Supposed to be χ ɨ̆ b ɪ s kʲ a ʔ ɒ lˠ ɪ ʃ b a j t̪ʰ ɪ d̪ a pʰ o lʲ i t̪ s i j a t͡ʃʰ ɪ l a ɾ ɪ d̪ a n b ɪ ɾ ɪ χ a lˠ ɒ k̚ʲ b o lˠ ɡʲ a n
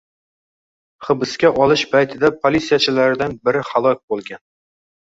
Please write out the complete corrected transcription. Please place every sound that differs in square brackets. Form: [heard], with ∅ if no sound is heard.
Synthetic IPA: χ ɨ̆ b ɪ s kʲ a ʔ ɒ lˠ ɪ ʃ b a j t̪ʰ ɪ d̪ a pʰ o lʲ i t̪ s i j a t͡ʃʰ ɪ l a ɾ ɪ d̪ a n b ɪ ɾ ɪ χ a lˠ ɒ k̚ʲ b o lˠ ɡʲ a n